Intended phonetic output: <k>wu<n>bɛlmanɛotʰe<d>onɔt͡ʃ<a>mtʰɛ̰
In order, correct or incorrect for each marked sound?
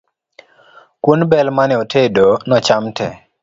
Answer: correct, correct, correct, correct

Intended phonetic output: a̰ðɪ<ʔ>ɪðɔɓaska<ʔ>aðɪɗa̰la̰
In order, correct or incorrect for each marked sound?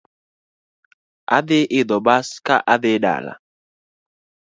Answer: correct, correct

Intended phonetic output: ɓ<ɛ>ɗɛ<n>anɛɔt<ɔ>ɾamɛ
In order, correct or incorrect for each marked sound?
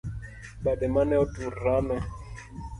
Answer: incorrect: a, incorrect: m, incorrect: u

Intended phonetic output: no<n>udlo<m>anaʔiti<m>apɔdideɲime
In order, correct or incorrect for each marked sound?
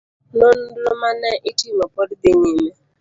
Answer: correct, correct, correct

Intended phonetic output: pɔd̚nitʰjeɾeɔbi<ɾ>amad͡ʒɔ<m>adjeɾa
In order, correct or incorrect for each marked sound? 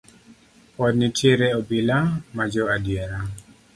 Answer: incorrect: l, incorrect: none

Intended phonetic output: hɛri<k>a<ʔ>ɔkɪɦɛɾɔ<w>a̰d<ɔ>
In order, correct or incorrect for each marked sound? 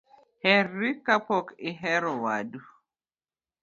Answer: correct, incorrect: p, correct, incorrect: u

